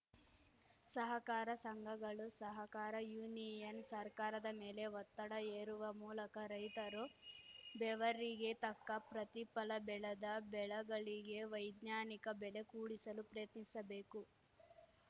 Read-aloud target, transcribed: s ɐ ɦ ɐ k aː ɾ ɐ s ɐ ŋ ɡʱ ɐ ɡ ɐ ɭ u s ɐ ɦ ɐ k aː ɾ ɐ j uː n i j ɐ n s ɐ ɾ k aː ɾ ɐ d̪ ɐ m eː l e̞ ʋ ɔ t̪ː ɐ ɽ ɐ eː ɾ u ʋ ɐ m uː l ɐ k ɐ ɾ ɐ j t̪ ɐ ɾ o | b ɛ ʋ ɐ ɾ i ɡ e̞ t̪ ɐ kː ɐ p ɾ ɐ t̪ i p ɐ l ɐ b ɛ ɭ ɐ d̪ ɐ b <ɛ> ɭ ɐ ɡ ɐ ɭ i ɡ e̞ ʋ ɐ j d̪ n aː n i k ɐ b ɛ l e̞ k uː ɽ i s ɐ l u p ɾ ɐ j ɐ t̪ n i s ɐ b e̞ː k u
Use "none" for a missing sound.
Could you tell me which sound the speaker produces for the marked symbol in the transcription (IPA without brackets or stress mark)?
ɛ